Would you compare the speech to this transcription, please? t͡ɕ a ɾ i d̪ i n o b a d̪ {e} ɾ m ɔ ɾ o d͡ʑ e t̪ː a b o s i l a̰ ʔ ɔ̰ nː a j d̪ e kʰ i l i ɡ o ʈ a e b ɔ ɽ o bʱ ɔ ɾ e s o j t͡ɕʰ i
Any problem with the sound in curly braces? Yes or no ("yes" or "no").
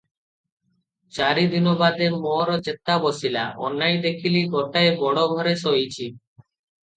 no